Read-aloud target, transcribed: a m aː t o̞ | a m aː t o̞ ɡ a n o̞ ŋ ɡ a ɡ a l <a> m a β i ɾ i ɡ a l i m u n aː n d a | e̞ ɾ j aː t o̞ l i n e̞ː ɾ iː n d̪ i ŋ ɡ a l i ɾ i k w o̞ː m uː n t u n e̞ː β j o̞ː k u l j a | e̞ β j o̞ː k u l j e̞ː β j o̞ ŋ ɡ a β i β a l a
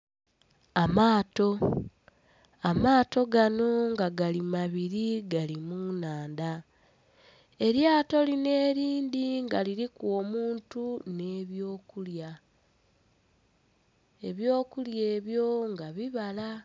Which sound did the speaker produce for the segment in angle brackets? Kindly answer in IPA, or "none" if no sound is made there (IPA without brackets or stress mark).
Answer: i